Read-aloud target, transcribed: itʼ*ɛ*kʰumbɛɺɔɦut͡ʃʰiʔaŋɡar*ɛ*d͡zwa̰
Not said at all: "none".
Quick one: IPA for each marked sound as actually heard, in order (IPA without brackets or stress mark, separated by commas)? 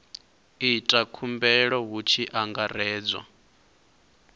a, ɛː